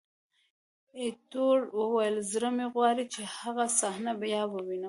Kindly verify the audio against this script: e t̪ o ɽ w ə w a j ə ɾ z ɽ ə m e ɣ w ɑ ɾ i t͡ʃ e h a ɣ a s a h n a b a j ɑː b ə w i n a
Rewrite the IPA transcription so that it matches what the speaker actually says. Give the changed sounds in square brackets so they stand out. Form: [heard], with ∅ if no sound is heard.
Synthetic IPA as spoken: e t̪ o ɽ w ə w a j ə [l] z [ɾ] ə m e ɣ w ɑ ɾ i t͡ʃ e h a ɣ a s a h n a b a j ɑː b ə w i n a

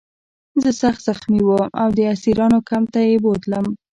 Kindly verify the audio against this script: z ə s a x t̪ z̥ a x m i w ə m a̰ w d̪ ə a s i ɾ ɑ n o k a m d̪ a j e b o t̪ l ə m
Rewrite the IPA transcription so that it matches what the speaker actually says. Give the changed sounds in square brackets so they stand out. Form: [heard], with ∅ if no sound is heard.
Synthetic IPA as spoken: z ə s a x t̪ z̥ a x m i w ə m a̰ w d̪ ə a s i ɾ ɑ n o k a m [t̪] a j e b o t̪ l ə m

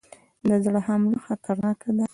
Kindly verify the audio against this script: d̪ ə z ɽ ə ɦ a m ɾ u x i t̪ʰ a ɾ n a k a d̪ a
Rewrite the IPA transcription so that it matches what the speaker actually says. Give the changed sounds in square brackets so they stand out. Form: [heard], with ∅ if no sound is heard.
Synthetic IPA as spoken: d̪ ə z ɽ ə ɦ a m [l] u x [a] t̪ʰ a ɾ n [ɑ] k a d̪ a

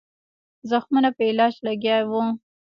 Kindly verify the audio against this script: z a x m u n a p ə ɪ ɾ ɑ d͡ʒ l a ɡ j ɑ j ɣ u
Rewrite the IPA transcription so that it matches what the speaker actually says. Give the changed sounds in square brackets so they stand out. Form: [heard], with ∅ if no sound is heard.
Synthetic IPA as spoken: z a x m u n a p ə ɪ [l] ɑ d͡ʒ l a ɡ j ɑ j [w] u

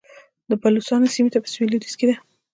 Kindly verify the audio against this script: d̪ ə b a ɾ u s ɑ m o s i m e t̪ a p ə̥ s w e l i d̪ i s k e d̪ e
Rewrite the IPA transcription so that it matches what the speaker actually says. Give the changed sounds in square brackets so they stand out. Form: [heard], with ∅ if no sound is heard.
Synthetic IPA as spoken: d̪ ə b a [l] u s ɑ [n] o s i m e t̪ a p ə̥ s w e l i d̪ i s k e d̪ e

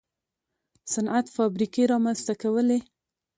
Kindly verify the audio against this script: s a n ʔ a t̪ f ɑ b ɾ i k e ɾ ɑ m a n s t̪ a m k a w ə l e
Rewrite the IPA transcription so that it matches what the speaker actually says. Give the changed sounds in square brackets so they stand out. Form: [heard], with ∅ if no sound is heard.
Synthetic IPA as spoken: s a n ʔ a t̪ f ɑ b ɾ i k e ɾ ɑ m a n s t̪ a [∅] k a w ə l e

